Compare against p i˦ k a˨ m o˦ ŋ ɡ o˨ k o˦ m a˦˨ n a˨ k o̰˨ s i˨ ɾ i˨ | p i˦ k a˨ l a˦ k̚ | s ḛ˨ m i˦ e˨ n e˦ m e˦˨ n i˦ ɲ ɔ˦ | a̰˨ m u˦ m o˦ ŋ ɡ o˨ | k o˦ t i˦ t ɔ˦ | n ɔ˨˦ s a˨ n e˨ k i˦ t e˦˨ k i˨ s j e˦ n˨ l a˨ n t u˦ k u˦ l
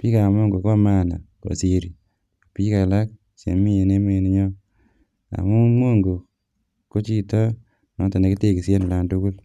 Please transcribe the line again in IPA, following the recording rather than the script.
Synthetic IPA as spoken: p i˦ k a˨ m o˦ ŋ ɡ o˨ k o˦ m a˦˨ n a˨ k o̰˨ s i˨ ɾ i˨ | p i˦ k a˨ l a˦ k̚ | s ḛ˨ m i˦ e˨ n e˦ m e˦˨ n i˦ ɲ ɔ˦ | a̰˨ m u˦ m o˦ ŋ ɡ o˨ | k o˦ t͡ʃ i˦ t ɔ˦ | n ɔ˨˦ t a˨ n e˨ k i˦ t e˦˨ k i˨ s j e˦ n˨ l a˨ n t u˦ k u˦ l